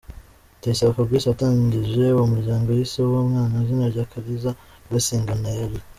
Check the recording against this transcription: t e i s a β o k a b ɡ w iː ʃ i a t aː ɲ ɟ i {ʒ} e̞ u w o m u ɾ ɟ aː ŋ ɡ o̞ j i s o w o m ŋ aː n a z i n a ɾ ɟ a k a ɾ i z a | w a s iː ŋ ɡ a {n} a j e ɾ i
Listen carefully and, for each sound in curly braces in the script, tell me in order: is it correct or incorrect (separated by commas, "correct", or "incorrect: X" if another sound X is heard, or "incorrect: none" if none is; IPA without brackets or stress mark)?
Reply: correct, correct